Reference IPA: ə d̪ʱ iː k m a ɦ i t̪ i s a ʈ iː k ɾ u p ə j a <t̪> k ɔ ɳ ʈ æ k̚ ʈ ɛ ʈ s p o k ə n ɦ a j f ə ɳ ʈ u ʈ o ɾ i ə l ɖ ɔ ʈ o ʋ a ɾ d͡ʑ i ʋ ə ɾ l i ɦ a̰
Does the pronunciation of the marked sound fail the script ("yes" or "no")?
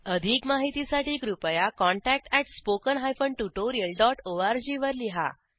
yes